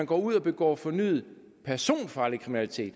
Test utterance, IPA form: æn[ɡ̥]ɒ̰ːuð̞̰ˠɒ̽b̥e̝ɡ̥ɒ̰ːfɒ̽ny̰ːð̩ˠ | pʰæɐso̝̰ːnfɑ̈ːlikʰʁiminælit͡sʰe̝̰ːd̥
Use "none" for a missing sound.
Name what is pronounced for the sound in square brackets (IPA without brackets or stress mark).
ɡ̥